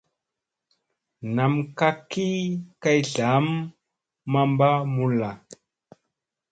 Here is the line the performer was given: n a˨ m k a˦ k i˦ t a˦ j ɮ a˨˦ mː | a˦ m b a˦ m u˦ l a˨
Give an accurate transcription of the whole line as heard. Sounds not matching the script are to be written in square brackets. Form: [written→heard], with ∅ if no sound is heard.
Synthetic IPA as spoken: n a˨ m k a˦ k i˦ [t→k] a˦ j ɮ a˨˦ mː | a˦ m b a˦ m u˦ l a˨